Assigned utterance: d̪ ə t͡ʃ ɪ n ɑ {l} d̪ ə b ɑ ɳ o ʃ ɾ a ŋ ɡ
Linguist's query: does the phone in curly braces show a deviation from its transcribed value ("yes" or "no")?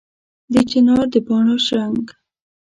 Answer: yes